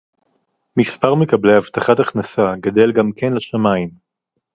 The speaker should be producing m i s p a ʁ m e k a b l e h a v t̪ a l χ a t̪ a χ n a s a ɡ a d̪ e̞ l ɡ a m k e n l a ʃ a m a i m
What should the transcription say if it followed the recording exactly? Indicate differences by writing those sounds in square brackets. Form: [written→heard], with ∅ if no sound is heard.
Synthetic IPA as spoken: m i s p a ʁ m e k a b l e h a v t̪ a [l→∅] χ a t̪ a χ n a s a ɡ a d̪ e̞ l ɡ a m k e n l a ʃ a m a i m

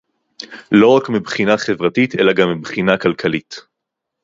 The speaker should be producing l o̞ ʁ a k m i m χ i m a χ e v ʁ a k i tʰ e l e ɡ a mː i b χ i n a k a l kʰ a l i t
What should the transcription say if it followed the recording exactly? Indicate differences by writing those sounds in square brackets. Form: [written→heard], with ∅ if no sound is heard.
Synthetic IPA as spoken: l o̞ ʁ a k m i [m→b] χ i [m→n] a χ e v ʁ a [k→t] i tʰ e l [e→a] ɡ a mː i b χ i n a k a l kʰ a l i t

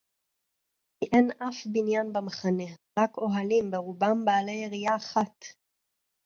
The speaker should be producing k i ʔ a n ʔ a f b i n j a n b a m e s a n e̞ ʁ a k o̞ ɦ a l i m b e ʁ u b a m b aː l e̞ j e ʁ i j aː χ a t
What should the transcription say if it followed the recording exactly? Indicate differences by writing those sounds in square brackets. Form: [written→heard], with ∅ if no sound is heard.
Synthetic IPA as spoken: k i ʔ [a→e] n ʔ a f b i n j a n b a m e [s→χ] a n e̞ ʁ a k o̞ ɦ a l i m b e ʁ u b a m b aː l e̞ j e ʁ i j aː χ a t

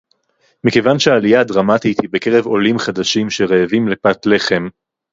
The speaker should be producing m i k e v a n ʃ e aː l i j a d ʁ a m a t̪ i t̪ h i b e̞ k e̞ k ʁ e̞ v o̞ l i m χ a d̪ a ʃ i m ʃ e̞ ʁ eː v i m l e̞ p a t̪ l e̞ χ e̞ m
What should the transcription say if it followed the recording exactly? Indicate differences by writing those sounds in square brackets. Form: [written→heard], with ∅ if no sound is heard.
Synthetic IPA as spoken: m i k e v a n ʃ e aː l i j a d ʁ a m a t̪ i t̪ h i b e̞ k e̞ [k→∅] ʁ e̞ v o̞ l i m χ a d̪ a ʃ i m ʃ e̞ ʁ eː v i m l e̞ p a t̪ l e̞ χ e̞ m

